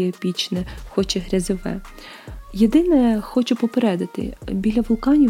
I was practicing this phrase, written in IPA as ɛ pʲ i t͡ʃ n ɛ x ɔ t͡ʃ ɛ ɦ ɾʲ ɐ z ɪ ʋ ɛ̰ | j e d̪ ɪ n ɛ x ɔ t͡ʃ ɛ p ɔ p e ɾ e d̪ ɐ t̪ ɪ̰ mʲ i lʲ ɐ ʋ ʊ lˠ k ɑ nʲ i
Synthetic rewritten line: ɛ pʲ i t͡ʃ n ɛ x ɔ t͡ʃ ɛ ɦ ɾʲ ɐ z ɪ ʋ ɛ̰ | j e d̪ ɪ n ɛ x ɔ t͡ʃ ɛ p ɔ p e ɾ ɛ d̪ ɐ t̪ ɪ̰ bʲ i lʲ ɐ ʋ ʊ lˠ k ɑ nʲ i